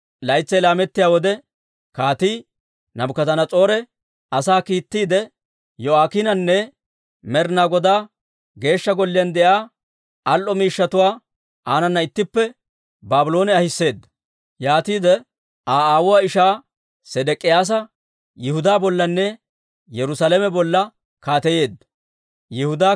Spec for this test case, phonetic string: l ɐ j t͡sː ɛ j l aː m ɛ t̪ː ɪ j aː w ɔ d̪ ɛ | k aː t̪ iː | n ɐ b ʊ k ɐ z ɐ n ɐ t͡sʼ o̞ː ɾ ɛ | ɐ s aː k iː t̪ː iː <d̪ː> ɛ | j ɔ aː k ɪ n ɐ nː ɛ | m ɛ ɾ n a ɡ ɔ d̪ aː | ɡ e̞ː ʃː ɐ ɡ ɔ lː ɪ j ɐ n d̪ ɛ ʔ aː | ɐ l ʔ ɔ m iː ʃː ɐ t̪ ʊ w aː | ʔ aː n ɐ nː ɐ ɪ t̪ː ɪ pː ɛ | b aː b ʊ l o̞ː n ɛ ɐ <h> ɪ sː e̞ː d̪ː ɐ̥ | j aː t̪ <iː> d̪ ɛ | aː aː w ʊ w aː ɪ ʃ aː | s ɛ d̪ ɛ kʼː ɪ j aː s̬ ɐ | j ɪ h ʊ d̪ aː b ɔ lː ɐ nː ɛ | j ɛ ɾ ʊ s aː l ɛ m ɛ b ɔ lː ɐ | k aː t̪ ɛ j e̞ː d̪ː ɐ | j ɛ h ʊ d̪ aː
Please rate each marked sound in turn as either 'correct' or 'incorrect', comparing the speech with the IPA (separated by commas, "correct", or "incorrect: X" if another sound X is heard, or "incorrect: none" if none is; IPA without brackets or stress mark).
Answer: incorrect: d̪, correct, correct